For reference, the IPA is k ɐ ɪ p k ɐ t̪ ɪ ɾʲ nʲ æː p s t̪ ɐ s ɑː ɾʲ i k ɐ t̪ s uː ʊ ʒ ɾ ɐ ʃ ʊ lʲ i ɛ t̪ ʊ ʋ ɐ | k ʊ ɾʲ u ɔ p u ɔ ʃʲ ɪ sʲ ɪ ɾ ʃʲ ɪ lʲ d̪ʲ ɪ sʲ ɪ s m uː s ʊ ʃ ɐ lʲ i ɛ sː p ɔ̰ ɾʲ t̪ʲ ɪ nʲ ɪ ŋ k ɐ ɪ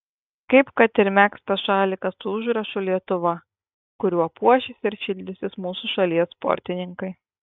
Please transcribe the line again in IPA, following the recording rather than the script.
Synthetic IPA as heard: k ɐ ɪ p k ɐ t̪ ɪ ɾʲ mʲ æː k s t̪ ɐ ʃ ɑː lʲ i k ɐ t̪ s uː ʊ ʒ ɾ ɐ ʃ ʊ lʲ i ɛ t̪ ʊ ʋ ɐ | k ʊ ɾʲ u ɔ p u ɔ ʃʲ ɪ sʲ ɪ ɾ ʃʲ ɪ lʲ d̪ʲ ɪ sʲ ɪ s m uː s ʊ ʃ ɐ lʲ i ɛ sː p ɔ̰ ɾʲ t̪ʲ ɪ nʲ ɪ ŋ k ɐ ɪ

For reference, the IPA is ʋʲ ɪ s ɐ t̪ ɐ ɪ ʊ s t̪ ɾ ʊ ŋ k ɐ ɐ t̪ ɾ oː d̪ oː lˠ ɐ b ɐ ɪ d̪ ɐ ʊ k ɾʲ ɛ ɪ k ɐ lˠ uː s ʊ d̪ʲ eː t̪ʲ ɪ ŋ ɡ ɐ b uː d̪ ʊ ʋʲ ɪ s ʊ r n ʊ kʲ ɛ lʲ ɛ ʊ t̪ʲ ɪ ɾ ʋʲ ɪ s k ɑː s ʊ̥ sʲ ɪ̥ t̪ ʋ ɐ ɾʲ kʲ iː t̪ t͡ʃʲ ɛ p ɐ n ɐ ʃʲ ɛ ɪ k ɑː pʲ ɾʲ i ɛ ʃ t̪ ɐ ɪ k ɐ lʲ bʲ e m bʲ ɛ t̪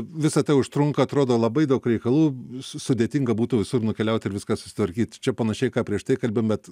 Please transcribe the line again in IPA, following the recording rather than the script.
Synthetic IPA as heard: ʋʲ ɪ s ɐ t̪ ɐ ɪ ʊ ʃ t̪ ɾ ʊ ŋ k ɐ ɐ t̪ ɾ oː d̪ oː lˠ ɐ b ɐ ɪ d̪ ɐ ʊ k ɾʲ ɛ ɪ k ɐ lˠ uː s ʊ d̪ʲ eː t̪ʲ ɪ ŋ ɡ ɐ b uː t̪ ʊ ʋʲ ɪ s ʊ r n ʊ kʲ ɛ lʲ ɛ ʊ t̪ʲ ɪ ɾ ʋʲ ɪ s k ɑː s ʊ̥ sʲ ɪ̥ t̪ ʋ ɐ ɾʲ kʲ iː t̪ t͡ʃʲ ɛ p ɐ n ɐ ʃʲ ɛ ɪ k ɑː pʲ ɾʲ i ɛ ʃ t̪ ɐ ɪ k ɐ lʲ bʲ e m bʲ ɛ t̪

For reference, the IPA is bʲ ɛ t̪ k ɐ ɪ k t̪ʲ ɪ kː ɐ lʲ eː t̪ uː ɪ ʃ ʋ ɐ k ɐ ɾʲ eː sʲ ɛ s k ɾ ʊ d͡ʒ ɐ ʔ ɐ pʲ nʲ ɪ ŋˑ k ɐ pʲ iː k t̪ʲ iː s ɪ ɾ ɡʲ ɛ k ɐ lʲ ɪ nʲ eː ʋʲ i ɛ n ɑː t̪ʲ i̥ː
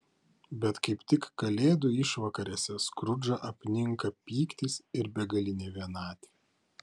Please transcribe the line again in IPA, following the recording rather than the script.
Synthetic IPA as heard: bʲ ɛ t̪ k ɐ ɪ p t̪ʲ ɪ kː ɐ lʲ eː d̪ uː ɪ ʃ ʋ ɐ k ɐ ɾʲ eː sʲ ɛ s k ɾ ʊ d͡ʒ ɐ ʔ ɐ pʲ nʲ ɪ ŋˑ k ɐ pʲ iː k t̪ʲ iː s ɪ ɾ bʲ ɛ ɡ ɐ lʲ ɪ nʲ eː ʋʲ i ɛ n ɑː t̪ʲ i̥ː

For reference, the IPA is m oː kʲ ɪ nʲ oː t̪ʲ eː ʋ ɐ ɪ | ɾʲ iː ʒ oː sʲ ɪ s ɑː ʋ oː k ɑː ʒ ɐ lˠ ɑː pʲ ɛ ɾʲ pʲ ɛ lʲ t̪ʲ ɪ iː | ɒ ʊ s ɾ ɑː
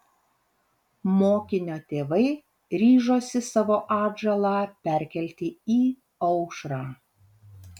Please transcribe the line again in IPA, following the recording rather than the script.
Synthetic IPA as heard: m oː kʲ ɪ nʲ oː t̪ʲ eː ʋ ɐ ɪ | ɾʲ iː ʒ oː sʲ ɪ s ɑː ʋ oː ʔ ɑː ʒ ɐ lˠ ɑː pʲ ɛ ɾʲ kʲ ɛ lʲ t̪ʲ ɪ iː | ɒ ʊ ʃ ɾ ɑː

